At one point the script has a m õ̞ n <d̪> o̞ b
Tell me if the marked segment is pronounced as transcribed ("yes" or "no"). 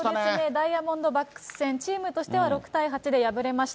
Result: yes